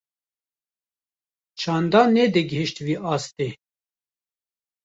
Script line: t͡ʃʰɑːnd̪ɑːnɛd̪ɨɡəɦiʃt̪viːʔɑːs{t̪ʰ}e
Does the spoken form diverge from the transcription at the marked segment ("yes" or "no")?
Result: yes